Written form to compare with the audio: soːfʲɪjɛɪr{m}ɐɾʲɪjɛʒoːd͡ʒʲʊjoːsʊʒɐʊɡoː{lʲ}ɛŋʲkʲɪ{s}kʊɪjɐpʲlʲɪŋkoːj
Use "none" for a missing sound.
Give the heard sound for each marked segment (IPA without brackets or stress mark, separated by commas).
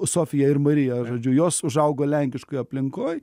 m, lʲ, ʃ